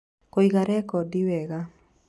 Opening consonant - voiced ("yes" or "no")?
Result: no